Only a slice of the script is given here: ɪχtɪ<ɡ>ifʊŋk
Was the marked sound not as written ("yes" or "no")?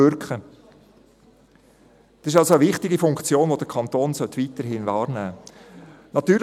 no